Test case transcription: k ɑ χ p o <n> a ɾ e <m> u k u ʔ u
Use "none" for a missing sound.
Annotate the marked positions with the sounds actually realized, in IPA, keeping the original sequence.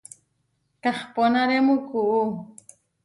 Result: n, m

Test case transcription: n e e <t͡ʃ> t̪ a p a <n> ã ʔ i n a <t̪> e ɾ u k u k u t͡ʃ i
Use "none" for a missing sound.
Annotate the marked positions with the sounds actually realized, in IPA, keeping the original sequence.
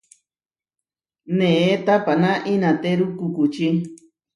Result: none, n, t̪

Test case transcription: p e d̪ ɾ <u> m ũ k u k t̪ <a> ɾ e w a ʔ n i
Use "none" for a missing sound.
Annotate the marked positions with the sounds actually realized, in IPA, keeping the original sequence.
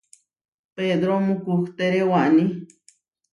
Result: o, e

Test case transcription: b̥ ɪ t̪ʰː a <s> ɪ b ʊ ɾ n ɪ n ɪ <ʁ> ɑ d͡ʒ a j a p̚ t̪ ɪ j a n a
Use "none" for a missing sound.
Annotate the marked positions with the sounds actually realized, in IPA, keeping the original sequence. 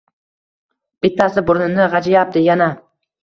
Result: s, ʁ

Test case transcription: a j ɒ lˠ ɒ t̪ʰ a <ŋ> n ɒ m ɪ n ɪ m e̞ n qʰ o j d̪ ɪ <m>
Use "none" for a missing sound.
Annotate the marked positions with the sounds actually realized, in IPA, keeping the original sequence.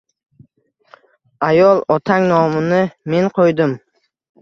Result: ŋ, m

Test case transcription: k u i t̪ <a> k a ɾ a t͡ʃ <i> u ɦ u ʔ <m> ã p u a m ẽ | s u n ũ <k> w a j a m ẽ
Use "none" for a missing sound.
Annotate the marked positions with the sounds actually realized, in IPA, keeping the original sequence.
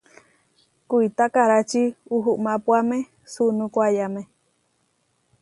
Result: a, i, m, k

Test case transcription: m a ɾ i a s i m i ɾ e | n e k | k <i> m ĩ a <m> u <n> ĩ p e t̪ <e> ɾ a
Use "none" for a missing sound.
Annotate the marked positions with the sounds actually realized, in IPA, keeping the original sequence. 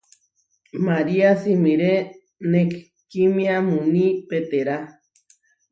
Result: i, m, n, e

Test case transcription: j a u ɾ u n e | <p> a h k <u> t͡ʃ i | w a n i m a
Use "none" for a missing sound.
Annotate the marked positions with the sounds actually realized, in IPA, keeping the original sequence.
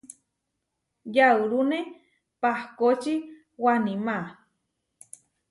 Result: p, o

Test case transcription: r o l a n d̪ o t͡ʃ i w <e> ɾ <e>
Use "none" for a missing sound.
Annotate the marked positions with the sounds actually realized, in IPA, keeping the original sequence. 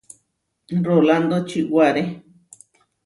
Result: a, e

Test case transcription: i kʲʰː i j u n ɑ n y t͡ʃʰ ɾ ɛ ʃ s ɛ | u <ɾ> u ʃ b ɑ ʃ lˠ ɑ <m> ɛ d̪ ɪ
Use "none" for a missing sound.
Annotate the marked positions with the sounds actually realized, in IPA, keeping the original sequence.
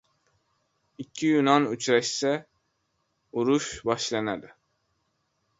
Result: ɾ, n

